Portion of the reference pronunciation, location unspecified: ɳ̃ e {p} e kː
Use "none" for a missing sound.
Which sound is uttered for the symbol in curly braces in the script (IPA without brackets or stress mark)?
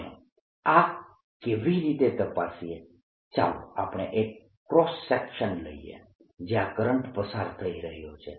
ʔ